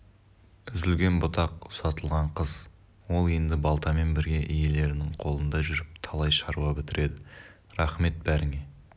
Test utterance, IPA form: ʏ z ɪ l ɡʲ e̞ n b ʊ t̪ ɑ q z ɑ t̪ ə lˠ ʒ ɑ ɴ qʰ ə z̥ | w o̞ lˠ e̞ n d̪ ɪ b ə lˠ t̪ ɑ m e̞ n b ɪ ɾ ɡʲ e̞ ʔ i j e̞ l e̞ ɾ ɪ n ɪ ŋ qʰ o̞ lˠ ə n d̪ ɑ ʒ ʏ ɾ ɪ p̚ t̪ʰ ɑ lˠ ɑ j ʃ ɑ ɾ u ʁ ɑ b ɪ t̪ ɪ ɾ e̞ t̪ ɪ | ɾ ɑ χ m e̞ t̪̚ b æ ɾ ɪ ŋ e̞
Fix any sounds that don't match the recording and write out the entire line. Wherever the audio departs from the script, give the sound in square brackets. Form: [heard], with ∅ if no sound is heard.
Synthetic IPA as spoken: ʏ z ɪ l ɡʲ e̞ n b ʊ t̪ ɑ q [s] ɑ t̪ ə lˠ [ʁ] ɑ ɴ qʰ ə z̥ | w o̞ lˠ e̞ n d̪ ɪ b [ɑ] lˠ t̪ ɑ m e̞ n b ɪ ɾ ɡʲ e̞ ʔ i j e̞ l e̞ ɾ ɪ n ɪ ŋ qʰ o̞ lˠ ə n d̪ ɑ ʒ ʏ ɾ ɪ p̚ t̪ʰ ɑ lˠ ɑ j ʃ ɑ ɾ u ʁ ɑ b ɪ t̪ ɪ ɾ e̞ [d̪] ɪ | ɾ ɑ χ m e̞ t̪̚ b æ ɾ ɪ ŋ e̞